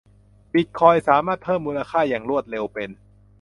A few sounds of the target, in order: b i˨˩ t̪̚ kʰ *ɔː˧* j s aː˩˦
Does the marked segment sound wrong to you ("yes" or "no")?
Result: no